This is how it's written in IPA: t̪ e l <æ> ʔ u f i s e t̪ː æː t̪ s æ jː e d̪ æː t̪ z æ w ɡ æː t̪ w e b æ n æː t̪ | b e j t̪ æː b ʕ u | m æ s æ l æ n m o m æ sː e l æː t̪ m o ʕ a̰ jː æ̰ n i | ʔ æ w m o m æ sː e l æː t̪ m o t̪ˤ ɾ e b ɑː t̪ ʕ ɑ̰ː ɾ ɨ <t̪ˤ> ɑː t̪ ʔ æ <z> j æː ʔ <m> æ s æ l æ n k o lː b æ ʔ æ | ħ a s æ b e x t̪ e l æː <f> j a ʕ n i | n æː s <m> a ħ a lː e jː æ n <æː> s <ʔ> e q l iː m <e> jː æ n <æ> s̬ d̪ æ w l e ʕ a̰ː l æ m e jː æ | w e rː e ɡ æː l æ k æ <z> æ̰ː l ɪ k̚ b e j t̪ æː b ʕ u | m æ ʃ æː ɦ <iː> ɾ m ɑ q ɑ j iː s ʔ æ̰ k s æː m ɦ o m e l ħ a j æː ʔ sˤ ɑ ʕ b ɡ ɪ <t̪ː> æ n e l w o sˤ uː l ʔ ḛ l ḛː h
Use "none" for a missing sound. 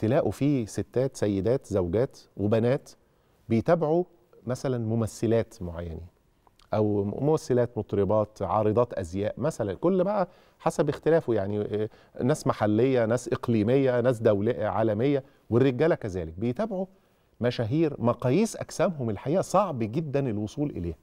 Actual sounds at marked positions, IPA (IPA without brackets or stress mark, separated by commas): æː, d̪ˤ, z, m, f, m, æː, ʔ, e, æː, z, iː, d̪ː